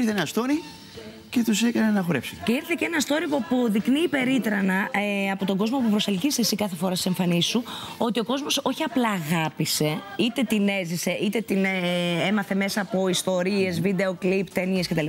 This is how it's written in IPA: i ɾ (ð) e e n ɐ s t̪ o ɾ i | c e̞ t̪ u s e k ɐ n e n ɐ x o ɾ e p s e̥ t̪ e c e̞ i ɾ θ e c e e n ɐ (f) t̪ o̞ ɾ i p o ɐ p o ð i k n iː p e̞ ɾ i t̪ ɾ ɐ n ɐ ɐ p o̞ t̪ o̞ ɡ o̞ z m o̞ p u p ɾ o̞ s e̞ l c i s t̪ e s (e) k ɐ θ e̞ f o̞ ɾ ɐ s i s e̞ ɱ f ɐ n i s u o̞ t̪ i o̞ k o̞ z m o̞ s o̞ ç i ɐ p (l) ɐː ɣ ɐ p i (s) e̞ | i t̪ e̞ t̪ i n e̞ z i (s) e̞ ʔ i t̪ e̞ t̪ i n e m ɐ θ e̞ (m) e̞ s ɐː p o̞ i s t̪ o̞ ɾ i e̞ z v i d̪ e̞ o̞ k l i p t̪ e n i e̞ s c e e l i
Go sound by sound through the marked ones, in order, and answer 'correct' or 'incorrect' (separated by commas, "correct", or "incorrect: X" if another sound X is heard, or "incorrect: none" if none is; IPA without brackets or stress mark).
incorrect: θ, incorrect: s, incorrect: i, correct, correct, correct, correct